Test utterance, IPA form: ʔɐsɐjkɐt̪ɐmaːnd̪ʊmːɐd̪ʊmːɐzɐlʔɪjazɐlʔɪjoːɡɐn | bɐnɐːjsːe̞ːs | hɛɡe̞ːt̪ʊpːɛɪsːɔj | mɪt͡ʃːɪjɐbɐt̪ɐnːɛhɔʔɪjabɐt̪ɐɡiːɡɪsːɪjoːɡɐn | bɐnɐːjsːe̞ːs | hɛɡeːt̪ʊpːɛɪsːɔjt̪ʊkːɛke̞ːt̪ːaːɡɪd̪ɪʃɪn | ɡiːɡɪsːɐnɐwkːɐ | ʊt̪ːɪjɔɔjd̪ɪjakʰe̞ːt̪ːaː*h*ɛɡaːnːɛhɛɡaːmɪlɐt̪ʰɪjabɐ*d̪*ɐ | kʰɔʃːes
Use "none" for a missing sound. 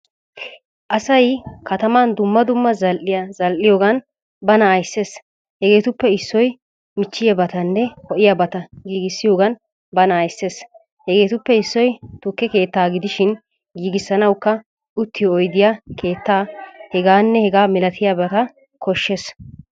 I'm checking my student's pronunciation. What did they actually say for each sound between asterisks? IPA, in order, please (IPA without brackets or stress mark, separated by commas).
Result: h, t̪